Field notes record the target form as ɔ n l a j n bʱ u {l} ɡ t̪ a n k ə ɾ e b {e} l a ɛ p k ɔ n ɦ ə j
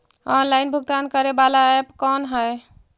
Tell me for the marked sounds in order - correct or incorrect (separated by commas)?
incorrect, incorrect